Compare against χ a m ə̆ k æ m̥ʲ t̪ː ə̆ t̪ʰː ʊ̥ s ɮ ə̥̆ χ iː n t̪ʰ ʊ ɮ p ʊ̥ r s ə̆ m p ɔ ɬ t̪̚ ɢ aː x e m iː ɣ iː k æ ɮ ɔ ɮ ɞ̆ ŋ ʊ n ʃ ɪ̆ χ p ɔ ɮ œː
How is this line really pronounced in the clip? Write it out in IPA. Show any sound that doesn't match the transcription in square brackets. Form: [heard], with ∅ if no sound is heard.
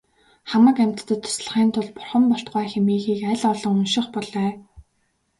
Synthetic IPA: χ a m ə̆ k æ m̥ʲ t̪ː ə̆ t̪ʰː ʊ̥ s ɮ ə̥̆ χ iː n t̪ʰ ʊ ɮ p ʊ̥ r [χ] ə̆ m p ɔ ɬ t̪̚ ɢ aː x e m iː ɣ iː k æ ɮ ɔ ɮ ɞ̆ ŋ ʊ n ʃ ɪ̆ χ p ɔ ɮ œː